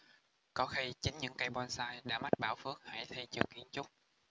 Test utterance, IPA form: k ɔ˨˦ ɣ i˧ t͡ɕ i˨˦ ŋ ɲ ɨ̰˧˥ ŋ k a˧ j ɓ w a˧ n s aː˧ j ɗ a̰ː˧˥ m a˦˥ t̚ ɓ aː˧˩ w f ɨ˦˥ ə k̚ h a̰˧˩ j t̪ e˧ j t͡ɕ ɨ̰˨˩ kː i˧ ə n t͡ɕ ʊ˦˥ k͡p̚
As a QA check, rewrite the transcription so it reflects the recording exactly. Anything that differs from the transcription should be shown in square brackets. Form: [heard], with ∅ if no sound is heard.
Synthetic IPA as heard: k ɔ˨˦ [x] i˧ t͡ɕ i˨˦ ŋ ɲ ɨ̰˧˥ ŋ k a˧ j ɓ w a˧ n s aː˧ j ɗ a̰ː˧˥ m a˦˥ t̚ ɓ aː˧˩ w f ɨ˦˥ ə k̚ h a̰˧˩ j [t̪ʰ] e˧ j t͡ɕ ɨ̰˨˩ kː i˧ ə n t͡ɕ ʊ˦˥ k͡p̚

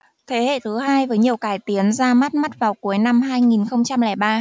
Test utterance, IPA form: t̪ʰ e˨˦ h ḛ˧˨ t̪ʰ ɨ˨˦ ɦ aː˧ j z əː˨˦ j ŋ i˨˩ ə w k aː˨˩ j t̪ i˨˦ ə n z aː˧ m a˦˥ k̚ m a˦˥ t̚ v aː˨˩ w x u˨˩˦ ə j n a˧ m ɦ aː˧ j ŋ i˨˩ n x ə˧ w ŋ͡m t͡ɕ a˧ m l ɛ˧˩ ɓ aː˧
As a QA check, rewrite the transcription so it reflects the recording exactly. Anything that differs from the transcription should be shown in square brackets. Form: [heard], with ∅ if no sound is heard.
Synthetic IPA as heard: t̪ʰ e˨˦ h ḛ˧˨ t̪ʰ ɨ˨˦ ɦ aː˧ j [v] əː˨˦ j [ɲ] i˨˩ ə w k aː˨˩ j t̪ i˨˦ ə n z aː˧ m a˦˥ [t̚] m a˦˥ t̚ v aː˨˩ w [k] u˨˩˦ ə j n a˧ m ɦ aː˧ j ŋ i˨˩ n x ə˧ w ŋ͡m t͡ɕ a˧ m l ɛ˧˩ ɓ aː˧

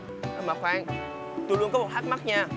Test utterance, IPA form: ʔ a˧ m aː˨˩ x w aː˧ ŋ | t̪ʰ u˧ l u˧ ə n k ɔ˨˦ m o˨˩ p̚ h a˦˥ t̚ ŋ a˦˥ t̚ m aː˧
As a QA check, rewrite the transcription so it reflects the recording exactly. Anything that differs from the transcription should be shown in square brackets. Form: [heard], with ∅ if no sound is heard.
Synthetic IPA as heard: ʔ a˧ m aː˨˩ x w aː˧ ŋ | [t̪] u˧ l u˧ ə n k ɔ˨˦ m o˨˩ [t̚] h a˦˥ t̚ [m] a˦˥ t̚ [ɲ] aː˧

